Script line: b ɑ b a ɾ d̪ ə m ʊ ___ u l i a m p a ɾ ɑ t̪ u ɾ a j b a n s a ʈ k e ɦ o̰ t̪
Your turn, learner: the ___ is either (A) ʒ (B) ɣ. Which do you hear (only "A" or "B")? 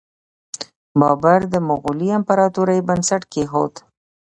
B